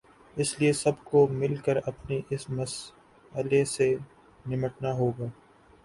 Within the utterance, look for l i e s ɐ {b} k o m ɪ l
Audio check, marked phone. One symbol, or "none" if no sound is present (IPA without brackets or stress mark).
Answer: b